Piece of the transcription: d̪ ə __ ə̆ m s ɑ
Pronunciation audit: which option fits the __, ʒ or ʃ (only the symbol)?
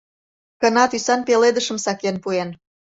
ʃ